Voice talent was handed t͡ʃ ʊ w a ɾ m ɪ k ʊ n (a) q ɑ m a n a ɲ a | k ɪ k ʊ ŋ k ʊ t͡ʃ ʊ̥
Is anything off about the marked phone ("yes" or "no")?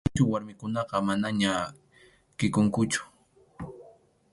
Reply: yes